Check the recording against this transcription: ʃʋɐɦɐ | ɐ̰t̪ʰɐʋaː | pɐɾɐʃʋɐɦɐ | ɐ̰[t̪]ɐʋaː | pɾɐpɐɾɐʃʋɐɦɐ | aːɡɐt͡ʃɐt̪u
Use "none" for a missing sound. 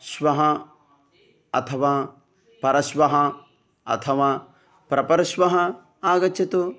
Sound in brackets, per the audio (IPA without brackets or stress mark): t̪ʰ